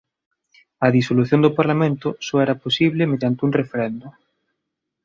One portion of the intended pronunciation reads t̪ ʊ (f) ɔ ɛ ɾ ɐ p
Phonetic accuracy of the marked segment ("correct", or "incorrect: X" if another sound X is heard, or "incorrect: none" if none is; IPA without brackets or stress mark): incorrect: s